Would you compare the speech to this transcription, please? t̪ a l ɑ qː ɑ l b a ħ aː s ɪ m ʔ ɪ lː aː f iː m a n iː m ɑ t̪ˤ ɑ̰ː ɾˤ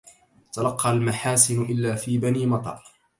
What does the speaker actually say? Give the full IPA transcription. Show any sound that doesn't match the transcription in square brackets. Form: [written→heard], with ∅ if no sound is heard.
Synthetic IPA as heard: t̪ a l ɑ qː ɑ l [b→m] a ħ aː s ɪ [m→n] ʔ ɪ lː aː f iː [m→b] a n iː m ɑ t̪ˤ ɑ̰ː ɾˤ